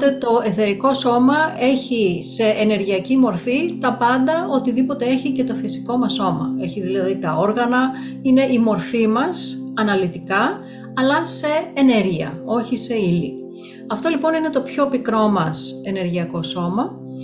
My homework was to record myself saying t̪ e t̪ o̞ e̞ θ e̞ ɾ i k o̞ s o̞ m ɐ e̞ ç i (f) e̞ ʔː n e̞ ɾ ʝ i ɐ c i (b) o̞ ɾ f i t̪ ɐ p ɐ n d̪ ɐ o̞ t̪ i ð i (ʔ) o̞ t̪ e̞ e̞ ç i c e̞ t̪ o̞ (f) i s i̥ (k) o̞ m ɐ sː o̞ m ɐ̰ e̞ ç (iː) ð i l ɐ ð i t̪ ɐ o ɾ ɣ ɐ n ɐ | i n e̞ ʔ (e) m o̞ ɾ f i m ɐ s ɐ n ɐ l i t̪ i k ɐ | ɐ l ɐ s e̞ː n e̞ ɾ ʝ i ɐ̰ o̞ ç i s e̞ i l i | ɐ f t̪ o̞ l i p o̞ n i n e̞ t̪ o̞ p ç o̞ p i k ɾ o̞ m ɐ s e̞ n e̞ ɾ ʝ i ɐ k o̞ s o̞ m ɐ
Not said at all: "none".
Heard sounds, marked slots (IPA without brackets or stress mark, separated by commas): s, m, p, f, k, i, i